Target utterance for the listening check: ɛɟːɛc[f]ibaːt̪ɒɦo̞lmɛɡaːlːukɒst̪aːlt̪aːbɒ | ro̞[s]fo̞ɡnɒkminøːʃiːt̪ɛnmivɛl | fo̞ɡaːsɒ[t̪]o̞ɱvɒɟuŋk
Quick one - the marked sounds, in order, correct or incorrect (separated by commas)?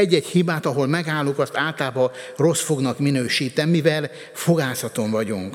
incorrect, correct, correct